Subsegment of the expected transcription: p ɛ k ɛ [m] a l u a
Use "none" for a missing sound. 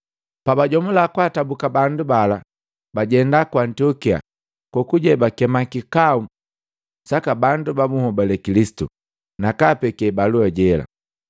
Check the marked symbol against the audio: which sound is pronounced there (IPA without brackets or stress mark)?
b